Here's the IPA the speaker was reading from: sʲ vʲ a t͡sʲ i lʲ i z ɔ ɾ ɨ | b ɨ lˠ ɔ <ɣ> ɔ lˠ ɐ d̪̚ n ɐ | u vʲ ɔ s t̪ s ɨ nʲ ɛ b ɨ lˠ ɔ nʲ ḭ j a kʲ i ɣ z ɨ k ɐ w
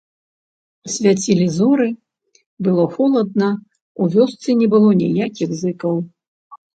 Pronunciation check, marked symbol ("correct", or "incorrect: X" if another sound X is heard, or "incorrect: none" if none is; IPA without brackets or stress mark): incorrect: x